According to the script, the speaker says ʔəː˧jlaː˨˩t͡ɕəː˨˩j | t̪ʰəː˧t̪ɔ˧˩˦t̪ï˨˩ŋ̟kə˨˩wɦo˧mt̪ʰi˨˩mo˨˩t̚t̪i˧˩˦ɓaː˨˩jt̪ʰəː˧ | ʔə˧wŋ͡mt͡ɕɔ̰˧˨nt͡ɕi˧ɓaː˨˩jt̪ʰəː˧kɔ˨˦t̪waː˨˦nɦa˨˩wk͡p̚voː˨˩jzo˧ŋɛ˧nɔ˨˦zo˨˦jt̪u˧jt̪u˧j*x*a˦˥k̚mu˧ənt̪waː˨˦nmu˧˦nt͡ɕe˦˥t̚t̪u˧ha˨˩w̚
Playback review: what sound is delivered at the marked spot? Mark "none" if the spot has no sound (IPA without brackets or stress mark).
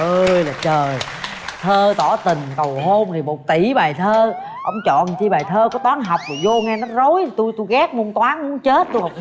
ɣ